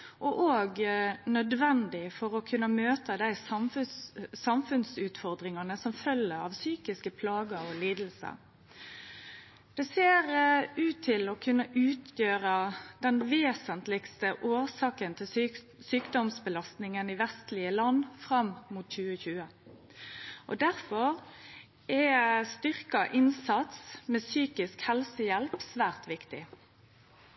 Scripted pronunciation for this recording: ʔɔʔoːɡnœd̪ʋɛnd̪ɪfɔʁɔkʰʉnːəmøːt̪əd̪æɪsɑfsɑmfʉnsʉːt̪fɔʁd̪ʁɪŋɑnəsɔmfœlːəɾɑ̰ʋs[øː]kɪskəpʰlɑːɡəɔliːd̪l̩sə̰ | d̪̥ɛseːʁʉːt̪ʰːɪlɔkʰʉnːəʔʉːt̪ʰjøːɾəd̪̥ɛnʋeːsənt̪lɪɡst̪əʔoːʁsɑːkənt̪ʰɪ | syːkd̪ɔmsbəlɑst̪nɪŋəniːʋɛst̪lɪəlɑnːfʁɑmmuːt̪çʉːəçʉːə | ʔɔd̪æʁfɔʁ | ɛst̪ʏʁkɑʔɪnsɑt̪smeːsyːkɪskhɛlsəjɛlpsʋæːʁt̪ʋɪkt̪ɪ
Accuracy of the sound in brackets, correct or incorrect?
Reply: incorrect